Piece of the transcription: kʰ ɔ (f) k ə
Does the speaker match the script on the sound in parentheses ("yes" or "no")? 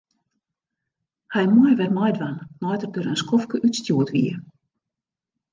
yes